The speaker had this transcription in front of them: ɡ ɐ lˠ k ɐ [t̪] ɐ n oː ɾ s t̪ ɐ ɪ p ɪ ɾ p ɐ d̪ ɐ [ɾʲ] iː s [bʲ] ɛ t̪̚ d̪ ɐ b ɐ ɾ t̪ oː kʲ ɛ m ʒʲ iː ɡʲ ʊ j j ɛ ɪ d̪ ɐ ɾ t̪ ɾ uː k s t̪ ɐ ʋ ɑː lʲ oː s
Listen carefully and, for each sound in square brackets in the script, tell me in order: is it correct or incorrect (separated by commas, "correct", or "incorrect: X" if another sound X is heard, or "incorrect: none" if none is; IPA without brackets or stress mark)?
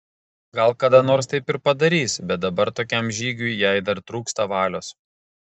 incorrect: d̪, correct, correct